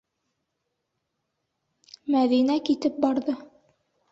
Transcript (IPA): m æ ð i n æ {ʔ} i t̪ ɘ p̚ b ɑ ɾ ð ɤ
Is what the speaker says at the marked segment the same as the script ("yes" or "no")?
no